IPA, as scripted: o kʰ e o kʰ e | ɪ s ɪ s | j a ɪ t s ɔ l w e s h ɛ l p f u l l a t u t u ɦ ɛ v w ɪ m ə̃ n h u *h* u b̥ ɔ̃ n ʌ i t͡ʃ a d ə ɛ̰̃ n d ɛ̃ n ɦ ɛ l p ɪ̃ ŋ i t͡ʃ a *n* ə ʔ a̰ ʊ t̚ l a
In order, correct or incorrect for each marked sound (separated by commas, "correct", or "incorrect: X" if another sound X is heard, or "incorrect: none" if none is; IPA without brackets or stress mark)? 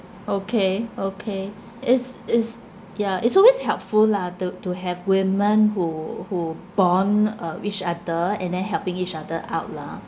correct, incorrect: d